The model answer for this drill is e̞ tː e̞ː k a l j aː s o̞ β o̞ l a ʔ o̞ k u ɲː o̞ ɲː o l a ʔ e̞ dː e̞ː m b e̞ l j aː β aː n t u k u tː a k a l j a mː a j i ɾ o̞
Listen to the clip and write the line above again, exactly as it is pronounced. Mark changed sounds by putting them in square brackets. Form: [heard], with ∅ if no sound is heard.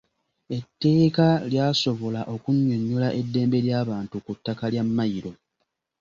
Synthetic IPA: e̞ tː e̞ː k a l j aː s o̞ β o̞ l a ʔ o̞ k u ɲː o̞ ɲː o l a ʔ e̞ dː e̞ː m b e̞ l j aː β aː n t u k u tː a k a l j a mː a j i ɾ o̞